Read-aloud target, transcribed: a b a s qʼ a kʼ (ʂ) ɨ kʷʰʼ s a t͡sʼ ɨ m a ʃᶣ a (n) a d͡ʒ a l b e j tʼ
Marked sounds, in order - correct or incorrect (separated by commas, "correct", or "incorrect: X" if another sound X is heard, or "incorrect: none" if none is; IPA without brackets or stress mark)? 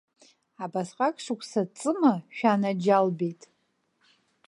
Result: correct, correct